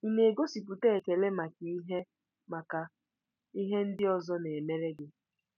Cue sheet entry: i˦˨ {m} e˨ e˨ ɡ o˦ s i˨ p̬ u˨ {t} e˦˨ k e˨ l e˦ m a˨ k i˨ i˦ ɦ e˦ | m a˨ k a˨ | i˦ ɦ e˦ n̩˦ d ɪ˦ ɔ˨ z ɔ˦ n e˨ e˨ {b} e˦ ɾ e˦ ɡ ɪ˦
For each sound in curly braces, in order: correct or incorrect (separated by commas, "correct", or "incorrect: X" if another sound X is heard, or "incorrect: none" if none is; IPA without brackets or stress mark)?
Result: incorrect: n, correct, incorrect: m